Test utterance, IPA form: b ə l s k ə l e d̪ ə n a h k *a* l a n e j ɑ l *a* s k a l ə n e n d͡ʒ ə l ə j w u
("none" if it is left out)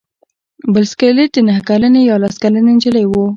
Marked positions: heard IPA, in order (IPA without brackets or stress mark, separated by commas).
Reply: a, a